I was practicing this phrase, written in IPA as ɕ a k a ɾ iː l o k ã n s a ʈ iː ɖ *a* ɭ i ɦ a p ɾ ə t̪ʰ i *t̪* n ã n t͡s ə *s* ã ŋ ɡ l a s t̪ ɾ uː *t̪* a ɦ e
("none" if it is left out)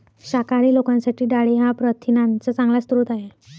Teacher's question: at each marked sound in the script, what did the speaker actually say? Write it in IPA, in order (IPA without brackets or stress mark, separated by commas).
a, none, t͡s, t̪